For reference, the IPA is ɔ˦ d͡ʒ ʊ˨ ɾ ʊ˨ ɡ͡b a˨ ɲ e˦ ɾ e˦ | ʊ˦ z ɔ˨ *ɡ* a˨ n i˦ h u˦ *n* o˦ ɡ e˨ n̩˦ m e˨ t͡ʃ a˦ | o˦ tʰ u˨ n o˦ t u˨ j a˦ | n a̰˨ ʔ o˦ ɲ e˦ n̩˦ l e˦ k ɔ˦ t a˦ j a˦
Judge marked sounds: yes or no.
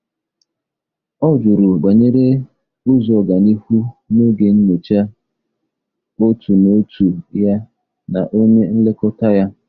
yes, yes

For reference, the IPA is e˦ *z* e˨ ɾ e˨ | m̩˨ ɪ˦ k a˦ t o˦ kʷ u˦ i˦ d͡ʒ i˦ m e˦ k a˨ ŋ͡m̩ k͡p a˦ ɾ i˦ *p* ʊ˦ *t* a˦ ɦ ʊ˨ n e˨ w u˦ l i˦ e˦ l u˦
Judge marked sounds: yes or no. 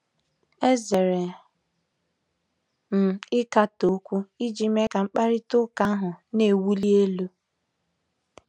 yes, no, no

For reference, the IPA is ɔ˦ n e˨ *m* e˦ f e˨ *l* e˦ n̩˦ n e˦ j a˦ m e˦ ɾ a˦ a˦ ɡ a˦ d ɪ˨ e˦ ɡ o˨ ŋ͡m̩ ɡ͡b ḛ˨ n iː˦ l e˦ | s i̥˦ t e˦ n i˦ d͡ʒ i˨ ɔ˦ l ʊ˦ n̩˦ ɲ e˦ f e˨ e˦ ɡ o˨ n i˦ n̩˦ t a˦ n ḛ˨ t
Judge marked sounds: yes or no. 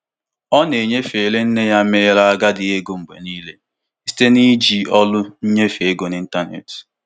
no, yes

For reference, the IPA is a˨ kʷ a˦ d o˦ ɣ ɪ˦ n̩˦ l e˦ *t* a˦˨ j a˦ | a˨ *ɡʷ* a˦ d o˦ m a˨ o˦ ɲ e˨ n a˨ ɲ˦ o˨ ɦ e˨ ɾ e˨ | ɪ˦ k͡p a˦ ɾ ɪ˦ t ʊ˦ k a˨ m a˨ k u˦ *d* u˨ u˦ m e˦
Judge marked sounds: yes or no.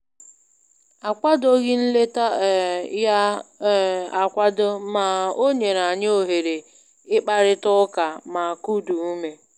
yes, no, yes

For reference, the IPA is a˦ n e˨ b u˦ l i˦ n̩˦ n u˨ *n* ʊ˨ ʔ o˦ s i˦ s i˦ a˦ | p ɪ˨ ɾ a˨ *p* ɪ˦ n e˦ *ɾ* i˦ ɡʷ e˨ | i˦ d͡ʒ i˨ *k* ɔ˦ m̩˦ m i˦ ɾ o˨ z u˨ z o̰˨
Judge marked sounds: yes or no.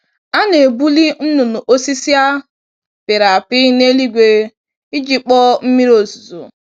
yes, yes, no, no

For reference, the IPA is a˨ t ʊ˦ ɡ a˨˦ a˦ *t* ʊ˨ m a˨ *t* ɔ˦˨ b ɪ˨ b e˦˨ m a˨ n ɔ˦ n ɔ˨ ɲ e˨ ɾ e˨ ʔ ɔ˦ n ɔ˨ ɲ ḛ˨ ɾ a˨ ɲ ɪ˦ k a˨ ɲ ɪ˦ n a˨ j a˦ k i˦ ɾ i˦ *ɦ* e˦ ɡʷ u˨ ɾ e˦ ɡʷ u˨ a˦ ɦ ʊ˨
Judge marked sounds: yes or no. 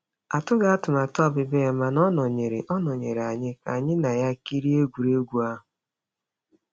yes, yes, no

